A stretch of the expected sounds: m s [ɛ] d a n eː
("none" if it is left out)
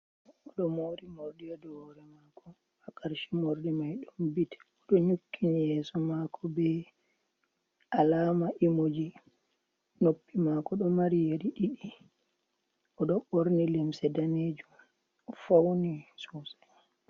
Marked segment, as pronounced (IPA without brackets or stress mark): ɛ